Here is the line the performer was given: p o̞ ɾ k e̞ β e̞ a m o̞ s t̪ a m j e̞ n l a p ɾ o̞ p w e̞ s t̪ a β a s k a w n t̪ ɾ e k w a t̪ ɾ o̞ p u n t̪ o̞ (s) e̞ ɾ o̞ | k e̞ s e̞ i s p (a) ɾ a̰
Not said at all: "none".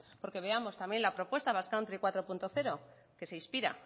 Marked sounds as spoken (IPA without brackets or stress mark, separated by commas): θ, i